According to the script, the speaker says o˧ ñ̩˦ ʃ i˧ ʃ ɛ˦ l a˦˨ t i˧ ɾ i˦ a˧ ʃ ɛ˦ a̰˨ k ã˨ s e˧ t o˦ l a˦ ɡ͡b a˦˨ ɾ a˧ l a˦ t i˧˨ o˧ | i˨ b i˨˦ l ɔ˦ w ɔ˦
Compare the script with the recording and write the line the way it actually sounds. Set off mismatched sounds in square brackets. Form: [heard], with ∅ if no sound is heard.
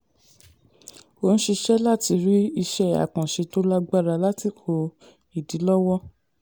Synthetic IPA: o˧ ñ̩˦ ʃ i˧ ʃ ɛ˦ l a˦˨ t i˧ ɾ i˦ [i˧] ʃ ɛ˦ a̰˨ k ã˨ [ʃ] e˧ t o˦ l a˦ ɡ͡b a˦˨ ɾ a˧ l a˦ t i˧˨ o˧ | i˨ [d] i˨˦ l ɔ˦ w ɔ˦